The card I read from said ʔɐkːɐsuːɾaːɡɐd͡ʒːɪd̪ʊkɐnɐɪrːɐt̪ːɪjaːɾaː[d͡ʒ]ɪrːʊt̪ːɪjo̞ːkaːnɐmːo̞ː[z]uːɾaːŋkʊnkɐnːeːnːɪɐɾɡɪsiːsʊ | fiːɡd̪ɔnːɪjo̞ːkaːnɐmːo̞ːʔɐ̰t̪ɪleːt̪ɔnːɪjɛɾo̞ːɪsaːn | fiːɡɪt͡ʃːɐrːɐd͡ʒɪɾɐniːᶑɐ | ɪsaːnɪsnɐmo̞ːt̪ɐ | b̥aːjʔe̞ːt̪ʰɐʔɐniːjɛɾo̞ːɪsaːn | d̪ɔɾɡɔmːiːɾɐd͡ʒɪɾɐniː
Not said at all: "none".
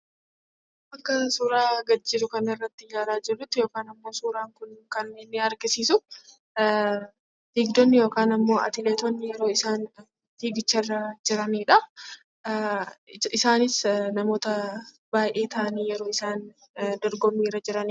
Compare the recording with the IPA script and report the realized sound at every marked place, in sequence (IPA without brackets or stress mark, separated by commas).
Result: d͡ʒ, s